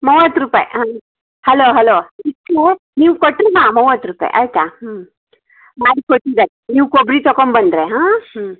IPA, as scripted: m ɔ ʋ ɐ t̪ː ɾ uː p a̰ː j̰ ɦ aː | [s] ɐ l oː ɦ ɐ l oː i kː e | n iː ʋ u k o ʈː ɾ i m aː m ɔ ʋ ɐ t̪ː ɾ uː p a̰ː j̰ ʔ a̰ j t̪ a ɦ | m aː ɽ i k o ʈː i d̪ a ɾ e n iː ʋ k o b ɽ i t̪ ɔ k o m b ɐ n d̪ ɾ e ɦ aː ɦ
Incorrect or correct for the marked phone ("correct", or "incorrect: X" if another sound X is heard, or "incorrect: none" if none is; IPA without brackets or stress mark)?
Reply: incorrect: h